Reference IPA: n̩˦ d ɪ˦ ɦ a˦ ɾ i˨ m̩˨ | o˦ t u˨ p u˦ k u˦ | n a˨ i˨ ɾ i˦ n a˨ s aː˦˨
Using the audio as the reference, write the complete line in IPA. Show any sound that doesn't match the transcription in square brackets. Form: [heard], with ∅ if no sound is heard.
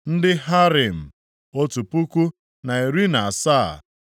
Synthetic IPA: n̩˦ d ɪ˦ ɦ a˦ ɾ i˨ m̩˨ | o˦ t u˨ p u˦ k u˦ | n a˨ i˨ ɾ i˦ n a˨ s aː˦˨